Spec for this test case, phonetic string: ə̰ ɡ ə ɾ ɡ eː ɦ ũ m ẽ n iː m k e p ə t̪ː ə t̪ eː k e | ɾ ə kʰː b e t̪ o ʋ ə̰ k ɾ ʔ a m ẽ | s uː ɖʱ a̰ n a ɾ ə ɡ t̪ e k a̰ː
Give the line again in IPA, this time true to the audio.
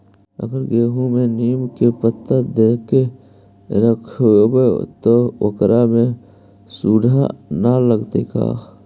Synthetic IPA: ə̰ ɡ ə ɾ ɡ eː ɦ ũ m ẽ n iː m k e p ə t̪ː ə d̪ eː k e | ɾ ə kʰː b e t̪ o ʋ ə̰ k ɾ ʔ a m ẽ | s uː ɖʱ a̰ n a l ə ɡ t̪ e k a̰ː